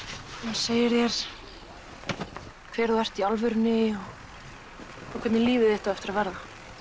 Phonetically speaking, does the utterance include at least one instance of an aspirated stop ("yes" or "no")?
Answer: yes